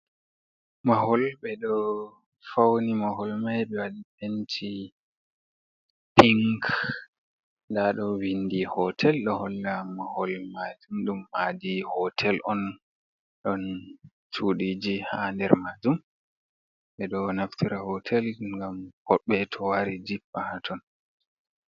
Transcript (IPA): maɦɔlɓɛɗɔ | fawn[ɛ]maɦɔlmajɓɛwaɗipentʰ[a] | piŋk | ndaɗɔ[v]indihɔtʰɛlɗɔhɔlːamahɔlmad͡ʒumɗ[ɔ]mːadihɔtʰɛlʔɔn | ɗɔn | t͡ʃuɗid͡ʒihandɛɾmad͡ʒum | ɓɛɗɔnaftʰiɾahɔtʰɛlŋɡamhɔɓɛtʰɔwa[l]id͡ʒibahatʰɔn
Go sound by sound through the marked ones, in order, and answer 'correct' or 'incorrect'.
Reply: incorrect, incorrect, incorrect, incorrect, incorrect

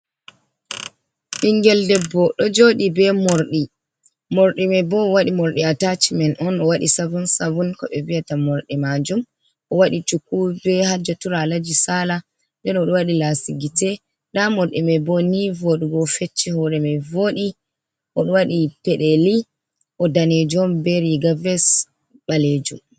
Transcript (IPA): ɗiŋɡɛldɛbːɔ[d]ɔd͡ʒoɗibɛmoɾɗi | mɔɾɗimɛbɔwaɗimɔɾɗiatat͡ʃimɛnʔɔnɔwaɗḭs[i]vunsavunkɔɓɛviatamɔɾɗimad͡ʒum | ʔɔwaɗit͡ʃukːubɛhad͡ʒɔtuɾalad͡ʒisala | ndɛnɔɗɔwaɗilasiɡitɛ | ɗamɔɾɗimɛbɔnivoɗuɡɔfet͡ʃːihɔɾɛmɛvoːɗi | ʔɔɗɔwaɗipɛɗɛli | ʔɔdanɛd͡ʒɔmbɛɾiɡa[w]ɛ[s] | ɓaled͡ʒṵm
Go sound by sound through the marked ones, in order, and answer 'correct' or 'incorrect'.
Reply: incorrect, incorrect, incorrect, correct

